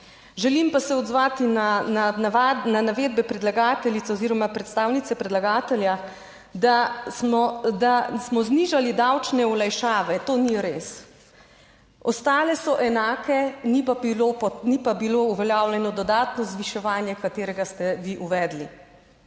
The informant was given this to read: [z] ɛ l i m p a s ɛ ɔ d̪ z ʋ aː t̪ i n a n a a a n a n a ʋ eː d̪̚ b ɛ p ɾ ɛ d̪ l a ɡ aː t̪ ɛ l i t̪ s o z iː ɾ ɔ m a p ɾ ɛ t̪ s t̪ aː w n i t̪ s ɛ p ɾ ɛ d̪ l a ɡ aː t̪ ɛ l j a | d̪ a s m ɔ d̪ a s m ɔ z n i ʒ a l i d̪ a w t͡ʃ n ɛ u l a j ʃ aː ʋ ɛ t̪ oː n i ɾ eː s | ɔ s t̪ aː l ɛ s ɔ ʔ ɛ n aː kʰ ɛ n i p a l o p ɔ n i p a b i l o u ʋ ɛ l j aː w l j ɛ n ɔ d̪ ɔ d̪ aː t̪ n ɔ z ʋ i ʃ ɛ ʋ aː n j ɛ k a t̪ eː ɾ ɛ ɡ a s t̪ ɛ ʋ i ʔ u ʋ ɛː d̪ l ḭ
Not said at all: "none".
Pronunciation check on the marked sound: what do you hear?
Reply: ʒ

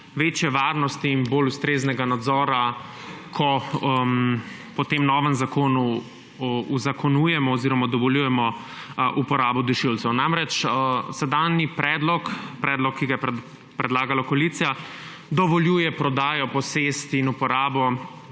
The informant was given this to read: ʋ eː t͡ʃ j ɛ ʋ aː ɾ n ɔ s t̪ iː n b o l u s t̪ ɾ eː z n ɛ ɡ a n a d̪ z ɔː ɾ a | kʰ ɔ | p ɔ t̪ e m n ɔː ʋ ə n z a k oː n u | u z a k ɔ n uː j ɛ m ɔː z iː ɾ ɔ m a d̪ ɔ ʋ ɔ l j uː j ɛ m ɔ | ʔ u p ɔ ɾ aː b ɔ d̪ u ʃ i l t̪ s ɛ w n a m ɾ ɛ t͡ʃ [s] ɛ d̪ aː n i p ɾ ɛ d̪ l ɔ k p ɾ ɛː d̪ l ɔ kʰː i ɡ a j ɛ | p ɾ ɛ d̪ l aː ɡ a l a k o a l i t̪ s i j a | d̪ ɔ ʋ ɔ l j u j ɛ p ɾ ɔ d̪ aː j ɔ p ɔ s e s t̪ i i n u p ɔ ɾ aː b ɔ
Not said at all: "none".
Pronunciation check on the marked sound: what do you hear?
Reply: s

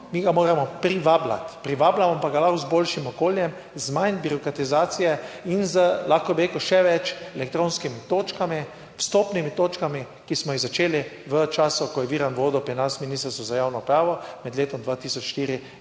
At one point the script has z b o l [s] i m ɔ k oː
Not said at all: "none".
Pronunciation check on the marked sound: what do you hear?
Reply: ʃ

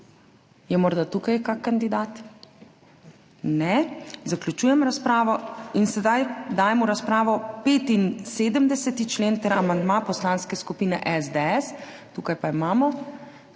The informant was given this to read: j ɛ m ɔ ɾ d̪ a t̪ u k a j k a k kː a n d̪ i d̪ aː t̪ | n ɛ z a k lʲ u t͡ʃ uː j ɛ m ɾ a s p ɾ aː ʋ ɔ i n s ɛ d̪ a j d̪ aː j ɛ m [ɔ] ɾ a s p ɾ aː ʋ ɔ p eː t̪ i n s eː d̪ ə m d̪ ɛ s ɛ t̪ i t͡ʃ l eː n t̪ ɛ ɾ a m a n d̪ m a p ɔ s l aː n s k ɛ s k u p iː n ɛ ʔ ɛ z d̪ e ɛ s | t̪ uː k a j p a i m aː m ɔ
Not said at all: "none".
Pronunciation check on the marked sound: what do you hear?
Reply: u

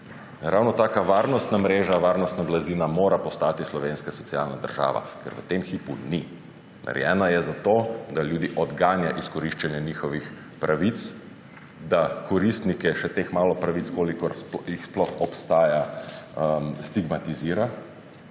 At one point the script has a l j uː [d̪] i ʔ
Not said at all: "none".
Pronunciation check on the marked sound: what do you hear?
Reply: d̪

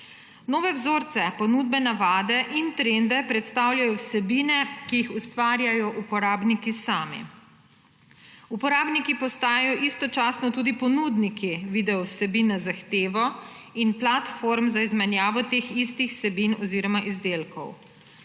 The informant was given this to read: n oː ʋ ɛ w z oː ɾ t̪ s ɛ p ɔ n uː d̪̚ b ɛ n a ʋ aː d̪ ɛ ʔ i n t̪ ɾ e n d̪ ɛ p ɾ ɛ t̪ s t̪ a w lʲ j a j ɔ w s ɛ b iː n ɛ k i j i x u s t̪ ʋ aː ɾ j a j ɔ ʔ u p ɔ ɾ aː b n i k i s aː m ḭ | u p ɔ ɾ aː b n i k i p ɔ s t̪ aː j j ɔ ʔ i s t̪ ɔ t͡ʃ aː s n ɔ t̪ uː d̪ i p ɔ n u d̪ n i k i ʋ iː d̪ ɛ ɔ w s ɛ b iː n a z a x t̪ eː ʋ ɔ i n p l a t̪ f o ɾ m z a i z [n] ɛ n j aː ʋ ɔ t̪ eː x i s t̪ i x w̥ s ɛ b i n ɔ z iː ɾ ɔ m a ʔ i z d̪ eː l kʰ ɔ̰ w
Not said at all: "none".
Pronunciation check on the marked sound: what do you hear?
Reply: m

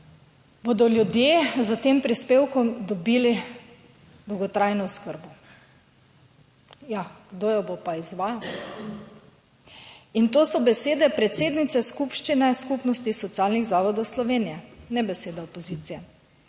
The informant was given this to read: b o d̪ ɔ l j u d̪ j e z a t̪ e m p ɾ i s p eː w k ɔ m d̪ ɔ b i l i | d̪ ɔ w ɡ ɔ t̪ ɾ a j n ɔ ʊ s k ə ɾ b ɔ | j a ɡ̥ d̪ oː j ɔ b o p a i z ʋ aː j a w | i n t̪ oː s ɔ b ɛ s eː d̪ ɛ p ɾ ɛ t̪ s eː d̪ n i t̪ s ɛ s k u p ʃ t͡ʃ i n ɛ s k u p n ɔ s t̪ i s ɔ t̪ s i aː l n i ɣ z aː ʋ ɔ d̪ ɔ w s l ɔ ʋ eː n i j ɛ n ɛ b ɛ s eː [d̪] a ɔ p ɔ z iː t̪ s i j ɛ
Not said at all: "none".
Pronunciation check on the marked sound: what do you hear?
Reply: d̪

